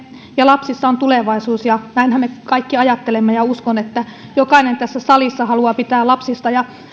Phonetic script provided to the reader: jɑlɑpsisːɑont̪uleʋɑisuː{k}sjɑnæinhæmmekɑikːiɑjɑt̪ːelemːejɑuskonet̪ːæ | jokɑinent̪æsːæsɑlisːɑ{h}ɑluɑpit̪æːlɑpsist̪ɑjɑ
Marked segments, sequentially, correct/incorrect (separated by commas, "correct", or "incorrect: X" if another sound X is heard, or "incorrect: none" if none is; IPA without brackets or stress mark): incorrect: none, correct